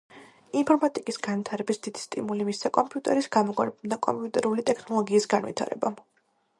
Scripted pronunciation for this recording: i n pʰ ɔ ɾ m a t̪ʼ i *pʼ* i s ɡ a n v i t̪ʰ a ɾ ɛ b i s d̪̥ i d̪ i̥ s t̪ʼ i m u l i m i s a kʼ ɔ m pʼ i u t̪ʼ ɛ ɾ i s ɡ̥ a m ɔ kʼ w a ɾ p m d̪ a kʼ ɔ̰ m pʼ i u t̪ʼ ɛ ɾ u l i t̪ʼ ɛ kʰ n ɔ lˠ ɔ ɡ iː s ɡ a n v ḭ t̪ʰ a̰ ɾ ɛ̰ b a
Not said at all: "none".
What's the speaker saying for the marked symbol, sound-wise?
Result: kʼ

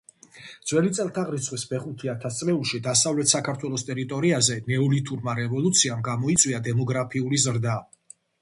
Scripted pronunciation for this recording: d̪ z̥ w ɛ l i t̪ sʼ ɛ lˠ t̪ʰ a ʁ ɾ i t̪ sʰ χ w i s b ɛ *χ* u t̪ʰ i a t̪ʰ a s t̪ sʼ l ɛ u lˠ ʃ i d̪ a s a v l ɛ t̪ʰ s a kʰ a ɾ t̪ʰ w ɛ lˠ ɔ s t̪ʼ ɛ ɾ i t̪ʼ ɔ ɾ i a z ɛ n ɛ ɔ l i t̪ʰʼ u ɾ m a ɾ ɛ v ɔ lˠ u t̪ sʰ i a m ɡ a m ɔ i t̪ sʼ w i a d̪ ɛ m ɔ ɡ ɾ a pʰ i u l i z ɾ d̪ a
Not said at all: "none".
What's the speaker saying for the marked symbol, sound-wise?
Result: χ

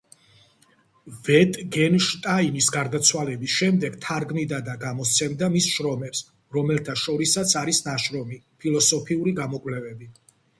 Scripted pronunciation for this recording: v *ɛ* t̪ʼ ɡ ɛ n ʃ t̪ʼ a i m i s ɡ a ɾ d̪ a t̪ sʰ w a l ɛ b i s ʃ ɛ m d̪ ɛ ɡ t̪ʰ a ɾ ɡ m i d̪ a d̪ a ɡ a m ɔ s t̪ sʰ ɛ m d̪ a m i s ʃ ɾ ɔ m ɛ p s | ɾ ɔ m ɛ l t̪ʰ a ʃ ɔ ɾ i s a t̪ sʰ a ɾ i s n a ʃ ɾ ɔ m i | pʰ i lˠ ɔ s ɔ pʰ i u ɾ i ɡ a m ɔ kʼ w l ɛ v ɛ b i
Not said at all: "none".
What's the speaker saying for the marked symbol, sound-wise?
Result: ɛ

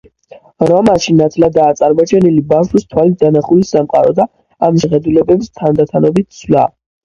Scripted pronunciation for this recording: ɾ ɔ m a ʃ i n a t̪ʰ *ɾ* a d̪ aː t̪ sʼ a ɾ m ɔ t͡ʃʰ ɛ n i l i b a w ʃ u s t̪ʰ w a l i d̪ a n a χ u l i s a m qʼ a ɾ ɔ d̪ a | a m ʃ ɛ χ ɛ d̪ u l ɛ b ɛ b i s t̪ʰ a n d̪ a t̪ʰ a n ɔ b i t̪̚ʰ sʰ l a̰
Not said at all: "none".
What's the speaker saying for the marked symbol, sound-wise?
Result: l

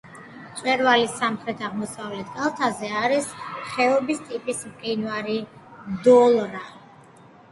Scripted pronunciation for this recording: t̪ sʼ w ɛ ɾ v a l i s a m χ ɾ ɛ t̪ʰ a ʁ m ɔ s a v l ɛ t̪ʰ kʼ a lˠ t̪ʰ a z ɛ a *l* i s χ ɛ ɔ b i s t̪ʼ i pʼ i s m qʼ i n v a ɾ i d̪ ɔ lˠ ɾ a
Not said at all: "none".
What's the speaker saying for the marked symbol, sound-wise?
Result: ɾ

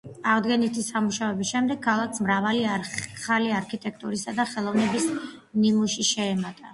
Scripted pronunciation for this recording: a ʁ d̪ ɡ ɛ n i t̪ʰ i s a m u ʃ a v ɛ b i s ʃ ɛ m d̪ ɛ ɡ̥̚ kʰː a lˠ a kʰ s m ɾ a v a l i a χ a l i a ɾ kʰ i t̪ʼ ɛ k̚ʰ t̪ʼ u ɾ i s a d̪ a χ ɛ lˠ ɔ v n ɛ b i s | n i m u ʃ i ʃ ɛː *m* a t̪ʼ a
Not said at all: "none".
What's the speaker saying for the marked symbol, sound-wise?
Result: m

